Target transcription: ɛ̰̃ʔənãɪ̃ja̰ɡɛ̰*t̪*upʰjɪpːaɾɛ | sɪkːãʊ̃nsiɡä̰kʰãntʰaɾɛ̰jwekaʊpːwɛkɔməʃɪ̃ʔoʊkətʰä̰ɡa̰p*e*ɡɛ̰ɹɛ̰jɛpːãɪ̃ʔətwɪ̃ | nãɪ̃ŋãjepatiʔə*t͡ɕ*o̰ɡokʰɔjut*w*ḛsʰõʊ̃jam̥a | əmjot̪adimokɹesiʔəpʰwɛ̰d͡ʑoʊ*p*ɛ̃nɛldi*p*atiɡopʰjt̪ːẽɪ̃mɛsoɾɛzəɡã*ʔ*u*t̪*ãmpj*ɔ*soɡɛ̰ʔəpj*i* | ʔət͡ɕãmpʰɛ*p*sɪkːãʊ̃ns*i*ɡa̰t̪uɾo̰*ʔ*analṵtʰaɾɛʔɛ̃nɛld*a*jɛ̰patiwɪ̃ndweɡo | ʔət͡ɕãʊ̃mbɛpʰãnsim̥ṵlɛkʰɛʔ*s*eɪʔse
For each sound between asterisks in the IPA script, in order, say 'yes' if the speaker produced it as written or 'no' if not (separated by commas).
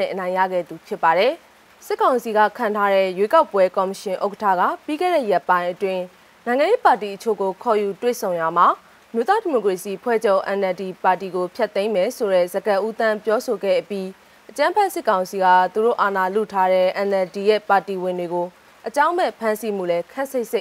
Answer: no, no, no, yes, no, yes, yes, yes, yes, yes, no, yes, yes, no, yes